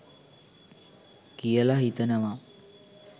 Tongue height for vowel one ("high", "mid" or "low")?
high